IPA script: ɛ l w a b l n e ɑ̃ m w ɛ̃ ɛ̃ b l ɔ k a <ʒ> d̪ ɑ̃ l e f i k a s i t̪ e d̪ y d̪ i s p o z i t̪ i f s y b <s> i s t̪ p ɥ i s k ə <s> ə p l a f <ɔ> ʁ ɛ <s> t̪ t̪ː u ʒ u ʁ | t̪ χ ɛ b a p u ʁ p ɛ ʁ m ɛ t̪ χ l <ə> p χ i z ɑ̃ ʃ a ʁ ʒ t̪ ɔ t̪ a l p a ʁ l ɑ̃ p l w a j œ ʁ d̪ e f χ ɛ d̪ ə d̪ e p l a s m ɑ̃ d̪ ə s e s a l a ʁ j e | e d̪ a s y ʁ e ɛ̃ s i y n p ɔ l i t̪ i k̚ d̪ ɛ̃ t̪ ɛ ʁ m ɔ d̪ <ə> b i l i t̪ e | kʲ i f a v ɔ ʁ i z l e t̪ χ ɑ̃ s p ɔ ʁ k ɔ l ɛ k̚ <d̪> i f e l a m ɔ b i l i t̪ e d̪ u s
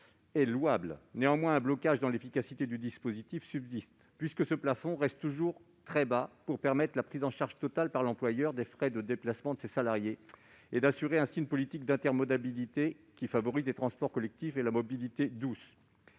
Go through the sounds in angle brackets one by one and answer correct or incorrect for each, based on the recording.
correct, incorrect: z, correct, incorrect: ɔ̃, correct, incorrect: a, incorrect: a, incorrect: t̪

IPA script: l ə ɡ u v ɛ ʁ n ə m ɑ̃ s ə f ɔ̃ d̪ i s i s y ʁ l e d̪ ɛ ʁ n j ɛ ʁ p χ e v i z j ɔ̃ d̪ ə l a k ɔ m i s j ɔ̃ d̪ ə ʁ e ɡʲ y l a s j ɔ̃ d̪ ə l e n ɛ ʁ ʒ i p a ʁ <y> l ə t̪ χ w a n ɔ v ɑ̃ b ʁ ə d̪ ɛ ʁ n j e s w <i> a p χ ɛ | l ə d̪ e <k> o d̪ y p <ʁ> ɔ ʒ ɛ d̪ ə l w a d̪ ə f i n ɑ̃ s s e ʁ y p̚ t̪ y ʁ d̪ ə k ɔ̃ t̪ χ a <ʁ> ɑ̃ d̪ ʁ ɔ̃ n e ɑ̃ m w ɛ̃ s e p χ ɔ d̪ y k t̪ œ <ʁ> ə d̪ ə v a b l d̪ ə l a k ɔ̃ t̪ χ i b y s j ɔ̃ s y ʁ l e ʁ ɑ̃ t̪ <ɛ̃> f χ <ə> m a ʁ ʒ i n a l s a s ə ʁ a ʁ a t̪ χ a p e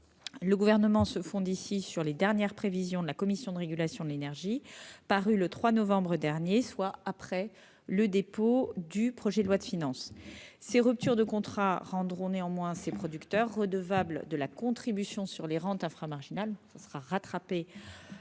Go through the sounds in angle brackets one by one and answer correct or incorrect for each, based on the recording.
correct, incorrect: a, incorrect: p, incorrect: χ, correct, incorrect: ʁː, correct, incorrect: a

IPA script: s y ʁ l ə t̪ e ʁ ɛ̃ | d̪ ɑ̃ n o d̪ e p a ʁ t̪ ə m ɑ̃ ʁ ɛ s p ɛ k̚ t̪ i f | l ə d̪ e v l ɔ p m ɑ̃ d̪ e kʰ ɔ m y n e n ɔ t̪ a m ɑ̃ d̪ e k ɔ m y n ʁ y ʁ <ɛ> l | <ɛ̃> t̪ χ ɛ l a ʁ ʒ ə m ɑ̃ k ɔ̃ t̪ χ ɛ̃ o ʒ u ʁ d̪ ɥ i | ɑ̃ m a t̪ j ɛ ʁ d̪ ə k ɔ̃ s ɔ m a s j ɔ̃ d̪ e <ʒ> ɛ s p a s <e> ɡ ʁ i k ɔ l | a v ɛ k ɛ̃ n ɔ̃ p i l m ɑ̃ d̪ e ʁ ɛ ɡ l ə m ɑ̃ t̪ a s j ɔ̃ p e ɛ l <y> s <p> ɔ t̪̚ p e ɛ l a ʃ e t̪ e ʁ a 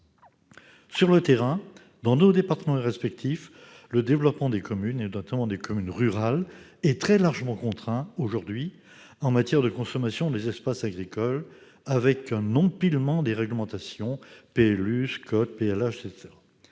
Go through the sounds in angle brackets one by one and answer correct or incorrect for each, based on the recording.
incorrect: a, incorrect: ɛ, incorrect: z, incorrect: a, correct, incorrect: k

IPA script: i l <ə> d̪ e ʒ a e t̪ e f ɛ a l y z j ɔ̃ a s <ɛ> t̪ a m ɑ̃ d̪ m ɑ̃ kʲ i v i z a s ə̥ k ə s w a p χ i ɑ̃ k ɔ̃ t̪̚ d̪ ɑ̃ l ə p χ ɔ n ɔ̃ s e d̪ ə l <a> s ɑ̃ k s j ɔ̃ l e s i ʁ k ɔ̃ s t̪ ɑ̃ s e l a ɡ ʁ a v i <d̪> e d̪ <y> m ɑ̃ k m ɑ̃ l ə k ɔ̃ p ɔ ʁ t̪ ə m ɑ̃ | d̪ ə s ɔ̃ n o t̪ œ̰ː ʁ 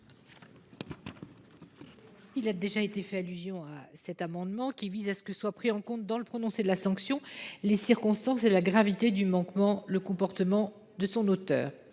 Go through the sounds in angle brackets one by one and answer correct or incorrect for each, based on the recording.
incorrect: a, correct, correct, incorrect: t̪, correct

